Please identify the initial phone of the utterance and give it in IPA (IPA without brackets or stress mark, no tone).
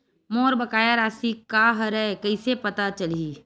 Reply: m